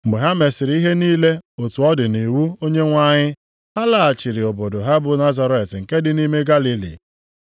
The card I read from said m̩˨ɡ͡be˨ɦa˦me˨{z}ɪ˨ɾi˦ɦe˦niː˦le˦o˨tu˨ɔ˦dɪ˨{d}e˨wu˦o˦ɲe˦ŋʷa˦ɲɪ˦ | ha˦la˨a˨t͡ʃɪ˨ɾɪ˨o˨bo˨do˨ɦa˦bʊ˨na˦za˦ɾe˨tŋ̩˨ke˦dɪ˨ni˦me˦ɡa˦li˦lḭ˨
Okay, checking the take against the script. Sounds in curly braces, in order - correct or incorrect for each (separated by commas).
incorrect, incorrect